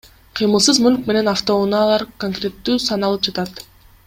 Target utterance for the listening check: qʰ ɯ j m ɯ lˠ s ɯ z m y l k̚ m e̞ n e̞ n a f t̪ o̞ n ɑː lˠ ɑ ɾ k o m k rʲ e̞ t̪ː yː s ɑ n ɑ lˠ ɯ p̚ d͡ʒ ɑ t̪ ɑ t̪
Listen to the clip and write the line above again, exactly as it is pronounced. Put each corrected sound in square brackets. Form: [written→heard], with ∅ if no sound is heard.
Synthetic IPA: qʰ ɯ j m ɯ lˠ s ɯ z m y l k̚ m e̞ n e̞ n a f t̪ o̞ n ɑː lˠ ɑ ɾ k o [m→ŋ] k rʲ e̞ t̪ː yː s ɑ n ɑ lˠ ɯ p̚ d͡ʒ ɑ t̪ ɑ t̪